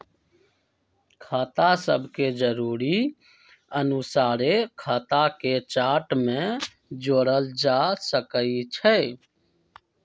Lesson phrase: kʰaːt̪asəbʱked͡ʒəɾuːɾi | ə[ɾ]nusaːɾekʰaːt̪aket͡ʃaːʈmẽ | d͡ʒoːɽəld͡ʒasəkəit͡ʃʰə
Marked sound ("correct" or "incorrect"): incorrect